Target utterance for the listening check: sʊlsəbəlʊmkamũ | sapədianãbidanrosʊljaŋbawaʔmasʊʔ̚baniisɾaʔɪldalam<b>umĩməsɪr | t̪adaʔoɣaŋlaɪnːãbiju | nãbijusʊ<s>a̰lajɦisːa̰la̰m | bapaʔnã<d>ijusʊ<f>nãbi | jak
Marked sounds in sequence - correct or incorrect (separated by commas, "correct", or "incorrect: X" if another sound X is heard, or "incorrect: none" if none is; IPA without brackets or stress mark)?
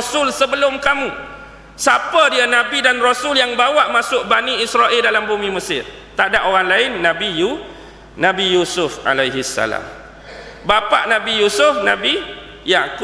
correct, incorrect: f, incorrect: b, correct